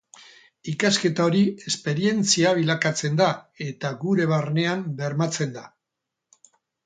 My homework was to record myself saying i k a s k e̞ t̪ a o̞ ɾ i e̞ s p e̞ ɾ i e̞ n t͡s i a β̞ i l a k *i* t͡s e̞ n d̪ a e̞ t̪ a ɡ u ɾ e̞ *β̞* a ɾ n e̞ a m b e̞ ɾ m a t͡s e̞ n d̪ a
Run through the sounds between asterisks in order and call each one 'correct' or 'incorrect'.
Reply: incorrect: a, correct

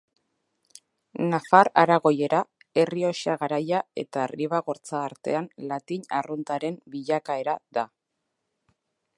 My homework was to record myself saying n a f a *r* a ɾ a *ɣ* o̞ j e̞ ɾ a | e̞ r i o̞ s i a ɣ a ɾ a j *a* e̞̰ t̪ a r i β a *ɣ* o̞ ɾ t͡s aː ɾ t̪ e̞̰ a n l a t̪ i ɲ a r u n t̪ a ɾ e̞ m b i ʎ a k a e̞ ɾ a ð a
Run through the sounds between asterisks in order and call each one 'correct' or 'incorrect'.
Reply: incorrect: ɾ, correct, correct, correct

